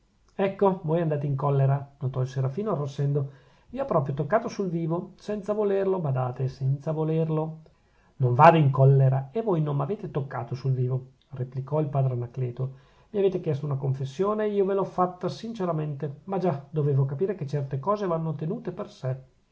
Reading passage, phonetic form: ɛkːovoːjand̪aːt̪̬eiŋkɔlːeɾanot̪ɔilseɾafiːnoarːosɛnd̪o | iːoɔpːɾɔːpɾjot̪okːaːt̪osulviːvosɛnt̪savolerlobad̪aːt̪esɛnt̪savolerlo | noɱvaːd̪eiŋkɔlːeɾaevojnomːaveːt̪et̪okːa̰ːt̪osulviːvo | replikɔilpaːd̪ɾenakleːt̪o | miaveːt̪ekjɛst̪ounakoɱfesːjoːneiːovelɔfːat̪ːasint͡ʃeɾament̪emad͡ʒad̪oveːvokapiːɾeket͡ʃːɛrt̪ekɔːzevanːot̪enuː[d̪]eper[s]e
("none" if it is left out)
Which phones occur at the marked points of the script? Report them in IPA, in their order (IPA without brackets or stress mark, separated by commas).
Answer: t̪, s